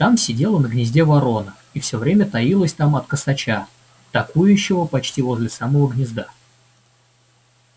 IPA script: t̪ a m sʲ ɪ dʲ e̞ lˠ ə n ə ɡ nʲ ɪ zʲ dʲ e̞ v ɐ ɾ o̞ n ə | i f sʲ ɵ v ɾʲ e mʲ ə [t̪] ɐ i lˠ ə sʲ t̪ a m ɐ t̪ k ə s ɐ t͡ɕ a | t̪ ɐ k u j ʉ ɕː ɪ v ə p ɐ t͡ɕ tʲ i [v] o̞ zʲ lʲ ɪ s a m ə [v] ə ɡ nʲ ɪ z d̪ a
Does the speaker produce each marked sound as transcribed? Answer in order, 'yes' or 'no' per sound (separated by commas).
yes, yes, yes